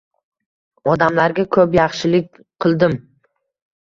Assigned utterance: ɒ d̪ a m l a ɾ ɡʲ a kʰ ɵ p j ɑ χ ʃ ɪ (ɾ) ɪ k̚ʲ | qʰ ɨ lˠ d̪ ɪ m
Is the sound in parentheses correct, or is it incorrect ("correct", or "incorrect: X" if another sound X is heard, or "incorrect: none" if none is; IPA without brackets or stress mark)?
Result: incorrect: l